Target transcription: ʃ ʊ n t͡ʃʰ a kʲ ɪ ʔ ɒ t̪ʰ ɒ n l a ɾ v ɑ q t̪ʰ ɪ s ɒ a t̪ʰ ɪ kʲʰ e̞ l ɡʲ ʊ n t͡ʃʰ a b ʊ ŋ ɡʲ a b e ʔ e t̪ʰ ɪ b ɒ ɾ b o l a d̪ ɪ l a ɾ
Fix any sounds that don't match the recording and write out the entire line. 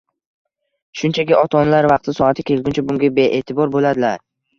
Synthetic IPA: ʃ ʊ n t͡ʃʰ a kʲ ɪ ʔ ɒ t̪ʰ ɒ n l a ɾ v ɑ q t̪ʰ ɪ s ɒ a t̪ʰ ɪ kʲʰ e̞ l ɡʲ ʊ n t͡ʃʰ a b ʊ ŋ ɡʲ a b e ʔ e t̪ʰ ɪ b ɒ ɾ b o l a d̪ ɪ l a ɾ